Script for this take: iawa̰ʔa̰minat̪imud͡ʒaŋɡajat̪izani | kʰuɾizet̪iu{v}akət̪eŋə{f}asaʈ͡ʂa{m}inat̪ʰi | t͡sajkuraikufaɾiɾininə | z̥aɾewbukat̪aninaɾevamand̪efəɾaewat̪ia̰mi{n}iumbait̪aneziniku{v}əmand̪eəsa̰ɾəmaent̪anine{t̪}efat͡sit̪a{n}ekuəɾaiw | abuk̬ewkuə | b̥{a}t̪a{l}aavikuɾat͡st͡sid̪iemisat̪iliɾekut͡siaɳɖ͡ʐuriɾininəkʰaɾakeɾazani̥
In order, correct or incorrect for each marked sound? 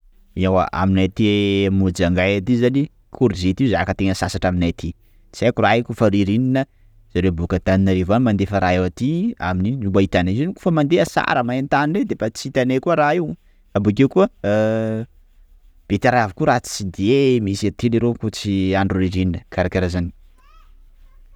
incorrect, incorrect, correct, correct, incorrect, incorrect, correct, incorrect, incorrect

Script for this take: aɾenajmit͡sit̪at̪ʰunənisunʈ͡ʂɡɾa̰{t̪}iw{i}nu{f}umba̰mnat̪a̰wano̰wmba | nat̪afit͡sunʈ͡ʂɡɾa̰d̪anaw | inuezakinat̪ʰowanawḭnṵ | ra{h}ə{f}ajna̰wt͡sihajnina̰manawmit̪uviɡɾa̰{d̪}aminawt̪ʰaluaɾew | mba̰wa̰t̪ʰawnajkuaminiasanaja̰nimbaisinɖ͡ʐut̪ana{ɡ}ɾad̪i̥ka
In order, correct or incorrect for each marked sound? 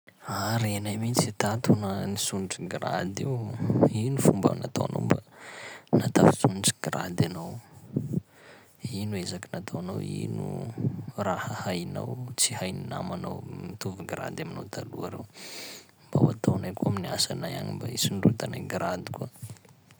incorrect, correct, correct, correct, incorrect, correct, correct

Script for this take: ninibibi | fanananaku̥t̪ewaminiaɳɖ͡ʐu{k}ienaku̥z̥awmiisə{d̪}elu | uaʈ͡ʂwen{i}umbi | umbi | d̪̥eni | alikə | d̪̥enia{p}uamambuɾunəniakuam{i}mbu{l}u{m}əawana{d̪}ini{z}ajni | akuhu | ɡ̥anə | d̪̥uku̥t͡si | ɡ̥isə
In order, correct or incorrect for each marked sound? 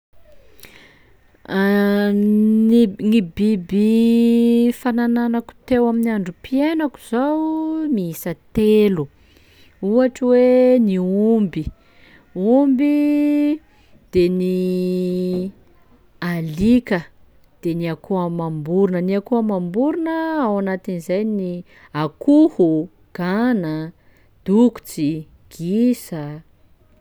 incorrect, incorrect, correct, incorrect, incorrect, incorrect, incorrect, incorrect, correct

